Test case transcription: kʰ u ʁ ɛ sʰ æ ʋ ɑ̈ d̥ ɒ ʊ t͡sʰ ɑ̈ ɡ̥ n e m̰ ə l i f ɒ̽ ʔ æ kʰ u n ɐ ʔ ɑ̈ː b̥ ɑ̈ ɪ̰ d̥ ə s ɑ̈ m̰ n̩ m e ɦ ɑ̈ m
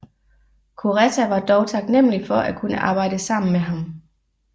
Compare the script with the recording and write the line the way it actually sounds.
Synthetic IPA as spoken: kʰ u ʁ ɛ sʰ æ ʋ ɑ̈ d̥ ɒ ʊ t͡sʰ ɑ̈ ɡ̥ n e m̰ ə l i f ɒ̽ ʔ æ kʰ u n ə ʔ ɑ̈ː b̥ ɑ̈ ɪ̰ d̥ ə s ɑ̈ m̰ n̩ m e ɦ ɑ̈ m